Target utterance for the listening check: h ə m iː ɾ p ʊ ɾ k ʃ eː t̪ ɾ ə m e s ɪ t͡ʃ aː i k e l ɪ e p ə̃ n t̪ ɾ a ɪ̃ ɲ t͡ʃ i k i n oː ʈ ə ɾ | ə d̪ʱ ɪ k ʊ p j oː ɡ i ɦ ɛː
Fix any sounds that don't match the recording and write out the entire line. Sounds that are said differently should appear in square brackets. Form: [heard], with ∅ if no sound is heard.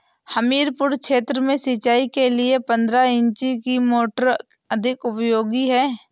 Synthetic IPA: h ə m iː ɾ p ʊ ɾ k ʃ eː t̪ ɾ ə m [ẽ] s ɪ t͡ʃ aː i k e l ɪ e p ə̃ n [d̪] ɾ a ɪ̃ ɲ t͡ʃ i k i [m] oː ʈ ə ɾ | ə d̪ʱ ɪ k ʊ p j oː ɡ i ɦ ɛː